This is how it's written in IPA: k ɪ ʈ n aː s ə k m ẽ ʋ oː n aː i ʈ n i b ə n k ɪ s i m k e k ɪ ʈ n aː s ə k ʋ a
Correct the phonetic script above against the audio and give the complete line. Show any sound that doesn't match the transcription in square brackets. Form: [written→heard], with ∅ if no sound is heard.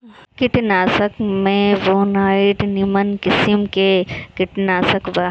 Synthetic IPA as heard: k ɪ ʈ n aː s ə k m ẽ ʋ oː n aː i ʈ n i [b→m] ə n k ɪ s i m k e k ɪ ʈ n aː s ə k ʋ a